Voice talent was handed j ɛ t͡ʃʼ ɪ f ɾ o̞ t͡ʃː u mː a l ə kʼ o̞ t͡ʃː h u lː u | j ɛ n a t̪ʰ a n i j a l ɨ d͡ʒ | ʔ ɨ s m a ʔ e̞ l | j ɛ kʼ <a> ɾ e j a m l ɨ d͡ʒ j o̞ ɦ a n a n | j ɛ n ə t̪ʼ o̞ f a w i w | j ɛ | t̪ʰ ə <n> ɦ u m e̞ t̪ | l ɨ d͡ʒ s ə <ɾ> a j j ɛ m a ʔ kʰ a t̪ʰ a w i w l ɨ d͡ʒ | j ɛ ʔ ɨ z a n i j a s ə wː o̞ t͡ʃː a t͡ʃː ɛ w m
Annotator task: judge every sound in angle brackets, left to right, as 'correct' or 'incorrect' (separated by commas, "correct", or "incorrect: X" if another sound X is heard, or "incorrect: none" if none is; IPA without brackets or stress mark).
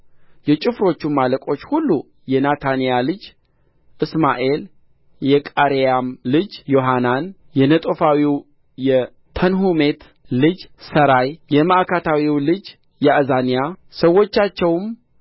correct, correct, correct